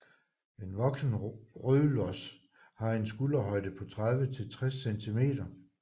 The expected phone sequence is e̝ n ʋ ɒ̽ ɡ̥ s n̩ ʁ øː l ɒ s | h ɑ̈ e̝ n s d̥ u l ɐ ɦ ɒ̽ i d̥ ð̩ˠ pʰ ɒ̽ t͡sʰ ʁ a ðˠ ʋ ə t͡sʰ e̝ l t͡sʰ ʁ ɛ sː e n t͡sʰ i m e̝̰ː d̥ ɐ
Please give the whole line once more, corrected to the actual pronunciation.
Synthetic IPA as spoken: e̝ n ʋ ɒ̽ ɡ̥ s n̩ ʁ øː l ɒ s | h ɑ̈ e̝ n s ɡ̥ u l ɐ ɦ ɒ̽ ɪ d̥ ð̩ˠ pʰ ɒ̽ t͡sʰ ʁ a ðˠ ʋ ə t͡sʰ e̝ l t͡sʰ ʁ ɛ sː e n t͡sʰ i m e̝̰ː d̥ ɐ